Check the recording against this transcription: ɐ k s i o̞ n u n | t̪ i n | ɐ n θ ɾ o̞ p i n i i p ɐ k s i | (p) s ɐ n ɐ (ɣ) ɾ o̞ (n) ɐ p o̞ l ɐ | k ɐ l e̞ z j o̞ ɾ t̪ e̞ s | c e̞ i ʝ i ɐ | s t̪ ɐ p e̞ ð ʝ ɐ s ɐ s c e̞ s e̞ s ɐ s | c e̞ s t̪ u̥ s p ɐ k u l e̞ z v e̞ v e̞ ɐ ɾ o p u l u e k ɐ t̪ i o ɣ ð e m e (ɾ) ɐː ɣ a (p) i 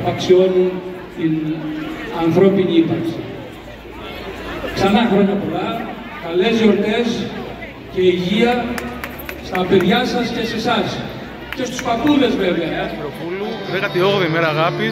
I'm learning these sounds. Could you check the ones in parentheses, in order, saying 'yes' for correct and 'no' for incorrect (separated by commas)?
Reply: no, no, no, yes, yes